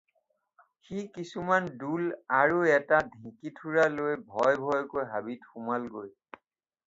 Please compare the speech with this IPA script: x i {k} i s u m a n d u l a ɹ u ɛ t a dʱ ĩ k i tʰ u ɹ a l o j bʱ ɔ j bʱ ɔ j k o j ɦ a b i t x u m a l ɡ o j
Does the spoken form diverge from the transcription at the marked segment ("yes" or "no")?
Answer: no